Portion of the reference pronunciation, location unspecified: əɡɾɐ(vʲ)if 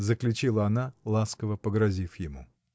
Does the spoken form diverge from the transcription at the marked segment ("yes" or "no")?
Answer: yes